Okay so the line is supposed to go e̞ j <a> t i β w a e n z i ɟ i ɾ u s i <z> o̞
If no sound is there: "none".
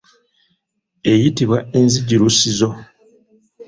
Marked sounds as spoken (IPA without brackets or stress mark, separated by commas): i, z